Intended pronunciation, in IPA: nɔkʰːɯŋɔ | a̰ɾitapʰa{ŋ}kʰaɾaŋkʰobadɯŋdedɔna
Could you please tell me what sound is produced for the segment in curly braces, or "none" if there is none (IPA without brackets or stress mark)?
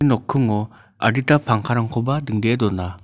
ŋ